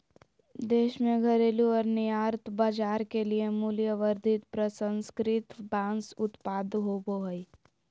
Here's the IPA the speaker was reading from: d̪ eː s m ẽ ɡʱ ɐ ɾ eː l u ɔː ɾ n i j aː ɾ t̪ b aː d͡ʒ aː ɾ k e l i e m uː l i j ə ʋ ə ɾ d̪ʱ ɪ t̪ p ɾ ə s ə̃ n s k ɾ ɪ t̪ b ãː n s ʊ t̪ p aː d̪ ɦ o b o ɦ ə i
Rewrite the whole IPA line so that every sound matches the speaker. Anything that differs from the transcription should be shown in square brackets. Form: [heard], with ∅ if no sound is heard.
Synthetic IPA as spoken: d̪ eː [ʃ] m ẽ ɡʱ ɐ ɾ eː l u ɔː ɾ n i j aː ɾ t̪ b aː d͡ʒ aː ɾ k e l i e m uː l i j ə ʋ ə ɾ d̪ʱ ɪ t̪ p ɾ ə s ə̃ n s k ɾ ɪ t̪ b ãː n s ʊ t̪ p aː d̪ ɦ o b o ɦ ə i